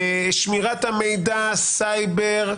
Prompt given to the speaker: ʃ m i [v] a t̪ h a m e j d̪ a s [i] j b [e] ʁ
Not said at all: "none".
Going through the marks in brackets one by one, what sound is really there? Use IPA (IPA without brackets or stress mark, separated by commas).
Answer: ʁ, a, e